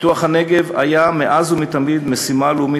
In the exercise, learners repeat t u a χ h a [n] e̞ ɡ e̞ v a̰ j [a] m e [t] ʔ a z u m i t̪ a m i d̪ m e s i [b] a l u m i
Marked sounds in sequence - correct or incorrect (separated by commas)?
correct, correct, incorrect, incorrect